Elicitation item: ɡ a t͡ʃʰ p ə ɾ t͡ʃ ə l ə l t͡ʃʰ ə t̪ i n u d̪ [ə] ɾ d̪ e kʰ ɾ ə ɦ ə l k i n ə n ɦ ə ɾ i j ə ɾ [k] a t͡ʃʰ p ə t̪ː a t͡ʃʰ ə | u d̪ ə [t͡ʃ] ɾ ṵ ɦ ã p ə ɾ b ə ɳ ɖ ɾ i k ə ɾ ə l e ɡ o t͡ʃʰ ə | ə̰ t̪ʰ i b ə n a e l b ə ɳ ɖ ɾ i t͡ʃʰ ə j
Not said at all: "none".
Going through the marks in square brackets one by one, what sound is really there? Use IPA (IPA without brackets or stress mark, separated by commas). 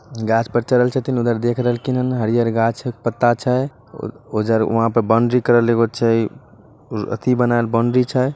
ə, ɡ, none